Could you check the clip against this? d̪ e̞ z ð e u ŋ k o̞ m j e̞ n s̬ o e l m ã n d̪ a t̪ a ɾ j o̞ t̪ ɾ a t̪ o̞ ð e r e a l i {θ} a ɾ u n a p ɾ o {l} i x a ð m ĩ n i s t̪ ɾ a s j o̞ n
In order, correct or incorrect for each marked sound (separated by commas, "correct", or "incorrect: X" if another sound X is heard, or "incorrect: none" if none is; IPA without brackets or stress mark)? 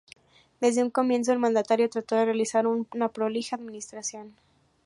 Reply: incorrect: s, correct